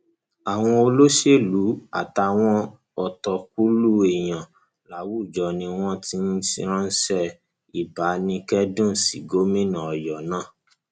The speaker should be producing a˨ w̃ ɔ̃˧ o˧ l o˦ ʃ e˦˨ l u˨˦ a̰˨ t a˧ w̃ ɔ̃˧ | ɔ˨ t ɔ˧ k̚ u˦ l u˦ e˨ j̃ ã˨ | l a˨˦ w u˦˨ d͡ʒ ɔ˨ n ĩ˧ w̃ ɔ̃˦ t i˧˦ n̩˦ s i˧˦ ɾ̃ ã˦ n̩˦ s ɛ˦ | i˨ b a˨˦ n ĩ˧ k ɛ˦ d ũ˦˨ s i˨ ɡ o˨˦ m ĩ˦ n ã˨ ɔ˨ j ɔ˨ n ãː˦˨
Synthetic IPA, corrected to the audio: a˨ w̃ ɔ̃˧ o˧ l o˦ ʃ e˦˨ l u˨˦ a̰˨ t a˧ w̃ ɔ̃˧ | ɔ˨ t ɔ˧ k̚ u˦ l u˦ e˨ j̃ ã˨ | l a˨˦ w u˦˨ d͡ʒ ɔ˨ n ĩ˧ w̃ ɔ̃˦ t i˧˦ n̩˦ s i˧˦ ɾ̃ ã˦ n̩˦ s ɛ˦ | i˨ b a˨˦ n ĩ˧ k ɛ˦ d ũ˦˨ s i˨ ɡ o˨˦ m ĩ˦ n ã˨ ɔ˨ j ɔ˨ n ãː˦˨

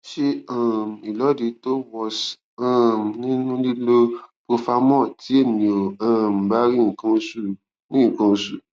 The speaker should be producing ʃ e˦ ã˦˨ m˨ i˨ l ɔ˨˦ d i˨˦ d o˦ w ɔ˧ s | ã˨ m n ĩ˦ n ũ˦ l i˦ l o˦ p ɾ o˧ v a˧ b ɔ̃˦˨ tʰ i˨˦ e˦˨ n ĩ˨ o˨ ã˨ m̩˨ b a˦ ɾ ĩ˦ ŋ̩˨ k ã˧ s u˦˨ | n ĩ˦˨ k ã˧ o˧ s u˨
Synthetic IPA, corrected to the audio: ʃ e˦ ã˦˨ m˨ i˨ l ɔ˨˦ d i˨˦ t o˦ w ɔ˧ s | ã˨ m n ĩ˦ n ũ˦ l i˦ l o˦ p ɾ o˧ f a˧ m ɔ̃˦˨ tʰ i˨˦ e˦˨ n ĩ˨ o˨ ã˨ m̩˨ b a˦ ɾ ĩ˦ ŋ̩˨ k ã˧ s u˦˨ | n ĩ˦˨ k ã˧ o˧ s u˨

